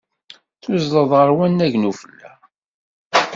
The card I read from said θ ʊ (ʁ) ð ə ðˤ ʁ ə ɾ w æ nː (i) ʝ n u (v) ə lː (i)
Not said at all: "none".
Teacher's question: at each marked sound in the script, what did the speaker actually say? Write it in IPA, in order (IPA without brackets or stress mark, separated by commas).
z, æ, f, æ